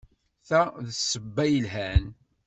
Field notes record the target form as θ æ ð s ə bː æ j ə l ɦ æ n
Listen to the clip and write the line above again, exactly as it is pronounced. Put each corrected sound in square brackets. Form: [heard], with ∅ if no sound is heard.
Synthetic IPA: θ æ ð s ə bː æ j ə l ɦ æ n